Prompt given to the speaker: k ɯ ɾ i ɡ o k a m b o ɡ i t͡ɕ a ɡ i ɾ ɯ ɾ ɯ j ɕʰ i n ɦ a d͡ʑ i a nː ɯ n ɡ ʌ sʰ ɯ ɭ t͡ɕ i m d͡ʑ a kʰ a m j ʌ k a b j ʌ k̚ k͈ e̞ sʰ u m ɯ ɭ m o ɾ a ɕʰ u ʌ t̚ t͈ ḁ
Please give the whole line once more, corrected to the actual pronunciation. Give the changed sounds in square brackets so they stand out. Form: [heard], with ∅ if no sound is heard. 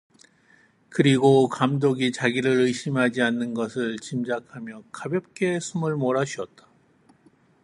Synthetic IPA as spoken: k ɯ ɾ i ɡ o k a m [d] o ɡ i t͡ɕ a ɡ i ɾ ɯ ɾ ɯ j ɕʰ i [m] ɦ a d͡ʑ i a nː ɯ n ɡ ʌ sʰ ɯ ɭ t͡ɕ i m d͡ʑ a kʰ a m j ʌ k a b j ʌ [p̚] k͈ e̞ sʰ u m ɯ ɭ m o ɾ a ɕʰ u ʌ t̚ t͈ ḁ

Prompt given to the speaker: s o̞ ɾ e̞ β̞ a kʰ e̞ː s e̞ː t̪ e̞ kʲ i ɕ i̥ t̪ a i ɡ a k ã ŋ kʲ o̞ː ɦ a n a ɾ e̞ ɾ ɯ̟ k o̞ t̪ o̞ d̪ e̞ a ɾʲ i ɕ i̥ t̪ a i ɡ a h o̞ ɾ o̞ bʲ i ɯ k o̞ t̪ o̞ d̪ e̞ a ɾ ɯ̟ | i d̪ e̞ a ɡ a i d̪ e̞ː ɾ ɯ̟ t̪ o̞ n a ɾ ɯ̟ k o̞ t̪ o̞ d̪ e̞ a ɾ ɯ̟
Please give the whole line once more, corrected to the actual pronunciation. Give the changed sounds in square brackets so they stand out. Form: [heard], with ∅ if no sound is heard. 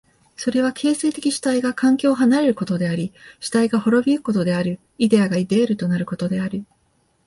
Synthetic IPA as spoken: s o̞ ɾ e̞ β̞ a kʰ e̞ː s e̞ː t̪ e̞ kʲ i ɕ i̥ t̪ a i ɡ a k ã ŋ kʲ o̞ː ɦ a n a ɾ e̞ ɾ ɯ̟ k o̞ t̪ o̞ d̪ e̞ a ɾʲ i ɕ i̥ t̪ a i ɡ a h o̞ ɾ o̞ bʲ i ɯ k o̞ t̪ o̞ d̪ e̞ a ɾ ɯ̟ | i d̪ e̞ a ɡ a i d̪ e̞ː ɾ ɯ̟ t̪ o̞ n a ɾ ɯ̟ k o̞ t̪ o̞ d̪ e̞ a ɾ ɯ̟

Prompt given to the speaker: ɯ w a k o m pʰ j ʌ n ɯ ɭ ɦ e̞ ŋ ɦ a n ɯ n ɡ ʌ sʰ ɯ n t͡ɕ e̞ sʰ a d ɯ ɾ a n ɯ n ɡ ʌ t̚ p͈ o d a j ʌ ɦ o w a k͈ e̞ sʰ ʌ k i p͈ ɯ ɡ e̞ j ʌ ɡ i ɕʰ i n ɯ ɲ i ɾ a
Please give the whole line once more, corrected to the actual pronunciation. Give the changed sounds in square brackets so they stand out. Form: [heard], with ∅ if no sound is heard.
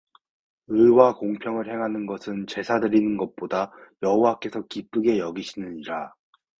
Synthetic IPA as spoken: ɯ w a k o [ŋ] pʰ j ʌ [ŋ] ɯ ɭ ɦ e̞ ŋ ɦ a n ɯ n ɡ ʌ sʰ ɯ n t͡ɕ e̞ sʰ a d ɯ ɾ [i] n ɯ n ɡ ʌ t̚ p͈ o d a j ʌ ɦ o w a k͈ e̞ sʰ ʌ k i p͈ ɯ ɡ e̞ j ʌ ɡ i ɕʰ i n ɯ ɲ i ɾ a

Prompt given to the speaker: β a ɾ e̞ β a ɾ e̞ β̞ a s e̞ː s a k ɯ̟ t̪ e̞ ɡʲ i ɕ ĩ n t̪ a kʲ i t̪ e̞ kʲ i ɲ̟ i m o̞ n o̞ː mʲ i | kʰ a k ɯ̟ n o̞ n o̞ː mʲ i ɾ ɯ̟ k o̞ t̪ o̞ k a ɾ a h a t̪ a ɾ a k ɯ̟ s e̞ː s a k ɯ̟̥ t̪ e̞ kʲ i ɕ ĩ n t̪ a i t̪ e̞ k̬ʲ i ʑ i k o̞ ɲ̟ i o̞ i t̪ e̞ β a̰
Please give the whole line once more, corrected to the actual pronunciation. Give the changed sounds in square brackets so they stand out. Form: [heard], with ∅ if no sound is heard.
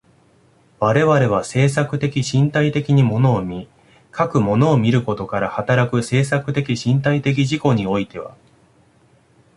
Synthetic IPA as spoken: β a ɾ e̞ β a ɾ e̞ β̞ a s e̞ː s a k ɯ̟ t̪ e̞ [kʲ] i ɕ ĩ n t̪ a [∅] i t̪ e̞ kʲ i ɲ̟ i m o̞ n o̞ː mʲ i | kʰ a k ɯ̟ [m] o̞ n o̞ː mʲ i ɾ ɯ̟ k o̞ t̪ o̞ k a ɾ a h a t̪ a ɾ a k ɯ̟ s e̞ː s a k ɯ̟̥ t̪ e̞ kʲ i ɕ ĩ n t̪ a i t̪ e̞ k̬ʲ i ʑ i k o̞ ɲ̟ i o̞ i t̪ e̞ β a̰

